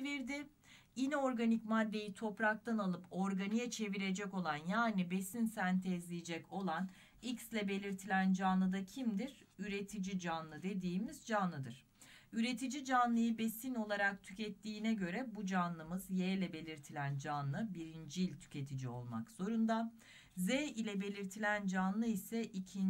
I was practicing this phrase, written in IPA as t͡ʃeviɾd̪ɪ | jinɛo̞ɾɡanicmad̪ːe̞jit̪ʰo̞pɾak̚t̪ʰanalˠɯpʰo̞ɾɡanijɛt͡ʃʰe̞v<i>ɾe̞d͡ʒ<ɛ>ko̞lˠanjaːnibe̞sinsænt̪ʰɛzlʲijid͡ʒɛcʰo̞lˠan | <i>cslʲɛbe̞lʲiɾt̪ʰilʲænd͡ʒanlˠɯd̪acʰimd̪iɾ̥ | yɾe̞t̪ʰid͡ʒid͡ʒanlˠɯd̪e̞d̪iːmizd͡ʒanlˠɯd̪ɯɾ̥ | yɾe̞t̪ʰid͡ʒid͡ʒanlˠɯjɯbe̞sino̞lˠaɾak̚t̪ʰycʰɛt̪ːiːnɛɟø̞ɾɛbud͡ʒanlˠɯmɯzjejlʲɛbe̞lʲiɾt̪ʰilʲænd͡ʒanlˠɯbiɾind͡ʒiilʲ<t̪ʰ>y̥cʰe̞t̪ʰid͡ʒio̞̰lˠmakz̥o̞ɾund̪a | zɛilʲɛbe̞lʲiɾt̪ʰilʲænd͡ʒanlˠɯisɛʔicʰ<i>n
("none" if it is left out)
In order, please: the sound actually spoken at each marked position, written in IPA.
i, ɛ, i, t̪ʰ, i

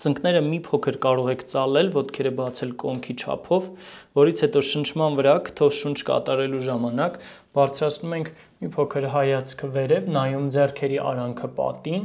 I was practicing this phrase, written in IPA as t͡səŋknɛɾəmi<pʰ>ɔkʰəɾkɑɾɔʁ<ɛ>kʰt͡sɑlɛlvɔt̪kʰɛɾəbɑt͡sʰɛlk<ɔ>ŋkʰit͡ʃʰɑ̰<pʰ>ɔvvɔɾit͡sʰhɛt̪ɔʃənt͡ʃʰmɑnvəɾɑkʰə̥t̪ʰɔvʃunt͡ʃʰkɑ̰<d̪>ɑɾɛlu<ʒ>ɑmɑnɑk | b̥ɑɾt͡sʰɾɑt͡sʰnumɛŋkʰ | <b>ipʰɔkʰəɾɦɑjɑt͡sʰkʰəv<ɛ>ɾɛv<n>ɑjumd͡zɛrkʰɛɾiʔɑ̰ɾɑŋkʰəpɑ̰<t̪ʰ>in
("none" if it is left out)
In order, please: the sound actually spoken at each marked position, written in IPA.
pʰ, ɛ, ɔ, pʰ, t̪, ʒ, m, ɛ, n, t̪

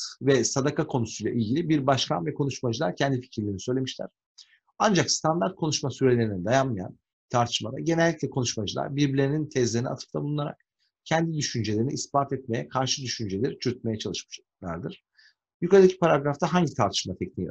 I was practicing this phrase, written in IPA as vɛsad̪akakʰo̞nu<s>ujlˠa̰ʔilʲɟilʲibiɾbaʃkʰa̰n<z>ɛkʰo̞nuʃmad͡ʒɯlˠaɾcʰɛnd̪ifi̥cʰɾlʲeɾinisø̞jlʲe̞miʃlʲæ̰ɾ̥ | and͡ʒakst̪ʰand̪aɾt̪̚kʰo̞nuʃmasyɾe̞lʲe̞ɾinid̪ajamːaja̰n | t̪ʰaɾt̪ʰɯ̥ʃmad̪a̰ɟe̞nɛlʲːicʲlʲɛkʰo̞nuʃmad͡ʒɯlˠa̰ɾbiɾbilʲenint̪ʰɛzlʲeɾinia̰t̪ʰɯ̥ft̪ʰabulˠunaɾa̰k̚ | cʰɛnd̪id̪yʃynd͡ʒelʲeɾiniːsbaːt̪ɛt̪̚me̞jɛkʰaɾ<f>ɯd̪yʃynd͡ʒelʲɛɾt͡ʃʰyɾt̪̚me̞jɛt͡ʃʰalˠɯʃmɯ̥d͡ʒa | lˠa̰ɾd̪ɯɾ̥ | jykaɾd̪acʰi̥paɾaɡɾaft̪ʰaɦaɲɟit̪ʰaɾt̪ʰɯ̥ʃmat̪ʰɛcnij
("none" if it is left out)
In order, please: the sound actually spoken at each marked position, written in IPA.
s, v, ʃ

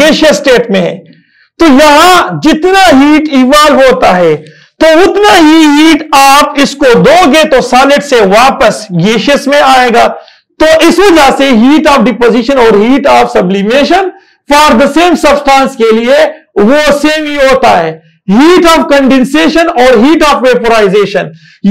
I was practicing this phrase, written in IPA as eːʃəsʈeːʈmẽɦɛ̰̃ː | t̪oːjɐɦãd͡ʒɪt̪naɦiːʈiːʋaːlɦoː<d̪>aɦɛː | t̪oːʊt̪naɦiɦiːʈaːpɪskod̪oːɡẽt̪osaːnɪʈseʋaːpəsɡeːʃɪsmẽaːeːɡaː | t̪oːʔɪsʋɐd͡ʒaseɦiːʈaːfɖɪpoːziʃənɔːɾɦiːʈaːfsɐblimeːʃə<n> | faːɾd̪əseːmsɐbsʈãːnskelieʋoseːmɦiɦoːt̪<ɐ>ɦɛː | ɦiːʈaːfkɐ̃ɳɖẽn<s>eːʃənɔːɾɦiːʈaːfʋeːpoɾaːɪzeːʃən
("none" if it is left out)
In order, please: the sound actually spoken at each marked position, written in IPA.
t̪, n, a, s

